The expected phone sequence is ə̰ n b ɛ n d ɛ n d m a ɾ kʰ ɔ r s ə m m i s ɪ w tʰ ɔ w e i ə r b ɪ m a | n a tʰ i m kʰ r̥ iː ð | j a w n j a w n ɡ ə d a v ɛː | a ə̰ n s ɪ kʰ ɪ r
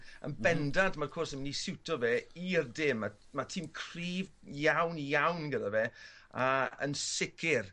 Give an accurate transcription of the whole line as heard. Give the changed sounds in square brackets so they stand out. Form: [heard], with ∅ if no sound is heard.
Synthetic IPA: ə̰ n b ɛ n d [a] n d m a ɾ kʰ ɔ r s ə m [n] i s ɪ w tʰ ɔ [v] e i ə r [d] ɪ m a | [m] a tʰ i m kʰ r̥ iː [v] | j a w n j a w n ɡ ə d a v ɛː | a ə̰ n s ɪ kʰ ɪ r